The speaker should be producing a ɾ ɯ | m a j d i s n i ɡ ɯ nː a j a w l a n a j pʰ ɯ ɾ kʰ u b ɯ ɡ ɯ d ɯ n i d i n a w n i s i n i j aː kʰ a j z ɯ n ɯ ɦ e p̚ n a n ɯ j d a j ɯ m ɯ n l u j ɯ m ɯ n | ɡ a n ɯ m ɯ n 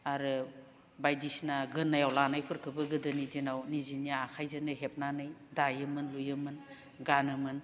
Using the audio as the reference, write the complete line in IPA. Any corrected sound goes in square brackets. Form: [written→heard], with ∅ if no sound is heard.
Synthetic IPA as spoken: a ɾ ɯ | [m→b] a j d i s n [i→a] ɡ ɯ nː a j a w l a n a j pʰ ɯ ɾ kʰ [u→ɯ] b ɯ ɡ ɯ d ɯ n i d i n a w n i [s→z] i n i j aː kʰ a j z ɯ n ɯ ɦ e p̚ n a n ɯ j d a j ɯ m ɯ n l u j ɯ m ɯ n | ɡ a n ɯ m ɯ n